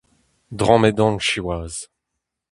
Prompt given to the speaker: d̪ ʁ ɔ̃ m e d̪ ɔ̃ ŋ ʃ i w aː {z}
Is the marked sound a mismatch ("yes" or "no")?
no